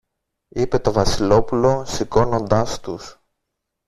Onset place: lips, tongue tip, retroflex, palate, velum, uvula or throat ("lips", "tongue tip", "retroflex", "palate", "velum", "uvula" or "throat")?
lips